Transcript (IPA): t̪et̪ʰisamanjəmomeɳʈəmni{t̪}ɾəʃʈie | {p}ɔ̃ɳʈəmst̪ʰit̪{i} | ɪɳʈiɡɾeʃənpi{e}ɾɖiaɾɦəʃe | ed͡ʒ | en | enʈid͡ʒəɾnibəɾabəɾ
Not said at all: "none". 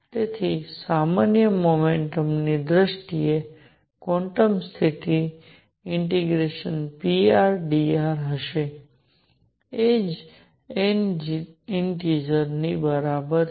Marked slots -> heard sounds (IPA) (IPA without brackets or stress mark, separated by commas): d̪, k, i, a